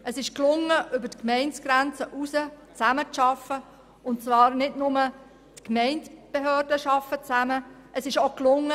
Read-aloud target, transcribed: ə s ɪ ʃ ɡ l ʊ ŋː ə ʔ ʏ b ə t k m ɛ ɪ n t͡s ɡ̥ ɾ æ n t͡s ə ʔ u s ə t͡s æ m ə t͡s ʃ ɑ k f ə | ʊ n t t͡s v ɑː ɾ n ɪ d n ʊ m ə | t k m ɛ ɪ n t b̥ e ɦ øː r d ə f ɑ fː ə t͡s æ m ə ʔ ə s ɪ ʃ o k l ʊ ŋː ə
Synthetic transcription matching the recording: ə s ɪ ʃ k l ʊ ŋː ə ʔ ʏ b ə t k m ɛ ɪ n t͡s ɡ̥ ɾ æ n t͡s ə ʔ u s ə t͡s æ m ə t͡s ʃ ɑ f ə | ʊ n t t͡s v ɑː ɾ n ɪ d n ʊ m ə | t k m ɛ ɪ n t b̥ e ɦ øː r d ə ʃ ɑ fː ə t͡s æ m ə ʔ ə s ɪ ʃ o k l ʊ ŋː ə